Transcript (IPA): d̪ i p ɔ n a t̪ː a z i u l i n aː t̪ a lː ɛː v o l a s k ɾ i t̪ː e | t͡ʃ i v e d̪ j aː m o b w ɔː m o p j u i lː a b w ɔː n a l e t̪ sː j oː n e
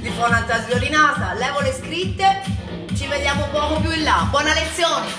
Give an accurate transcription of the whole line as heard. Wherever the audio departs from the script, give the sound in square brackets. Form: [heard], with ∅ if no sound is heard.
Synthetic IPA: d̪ i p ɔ n a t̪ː a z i [o] l i n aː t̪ a [l] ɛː v o l [e] s k ɾ i t̪ː e | t͡ʃ i v e d̪ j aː m o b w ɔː m o p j u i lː a b w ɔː n a l e t̪ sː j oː n e